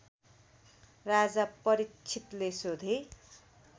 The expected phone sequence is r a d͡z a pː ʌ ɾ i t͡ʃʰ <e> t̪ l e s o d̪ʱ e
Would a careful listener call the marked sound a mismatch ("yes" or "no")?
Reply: yes